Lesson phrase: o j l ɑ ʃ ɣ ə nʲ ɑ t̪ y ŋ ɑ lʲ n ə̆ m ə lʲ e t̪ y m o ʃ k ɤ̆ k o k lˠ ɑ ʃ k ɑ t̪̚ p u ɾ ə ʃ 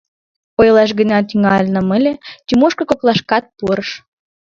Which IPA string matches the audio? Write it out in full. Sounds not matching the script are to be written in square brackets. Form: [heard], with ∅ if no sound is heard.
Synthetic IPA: o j l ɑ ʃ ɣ ə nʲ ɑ t̪ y ŋ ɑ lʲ n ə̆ m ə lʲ e t̪ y m o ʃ k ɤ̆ k o k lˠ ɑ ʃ k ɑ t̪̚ p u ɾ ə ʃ